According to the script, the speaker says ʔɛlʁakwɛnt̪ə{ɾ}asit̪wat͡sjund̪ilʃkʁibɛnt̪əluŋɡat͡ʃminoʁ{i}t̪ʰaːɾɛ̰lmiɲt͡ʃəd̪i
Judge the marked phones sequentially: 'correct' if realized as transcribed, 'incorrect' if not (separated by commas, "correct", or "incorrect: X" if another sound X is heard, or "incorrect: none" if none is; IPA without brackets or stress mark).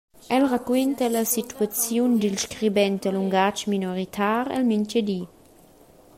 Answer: incorrect: l, correct